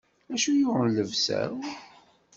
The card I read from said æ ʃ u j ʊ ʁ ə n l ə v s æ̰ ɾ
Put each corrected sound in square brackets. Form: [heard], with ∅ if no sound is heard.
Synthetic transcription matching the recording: æ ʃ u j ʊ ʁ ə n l ə v s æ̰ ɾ